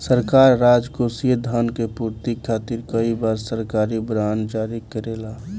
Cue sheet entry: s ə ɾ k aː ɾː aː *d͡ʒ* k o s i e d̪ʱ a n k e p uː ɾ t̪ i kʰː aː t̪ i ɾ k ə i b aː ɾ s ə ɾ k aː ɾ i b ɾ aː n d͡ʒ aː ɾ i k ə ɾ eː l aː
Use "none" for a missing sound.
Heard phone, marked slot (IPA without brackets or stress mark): d͡ʒ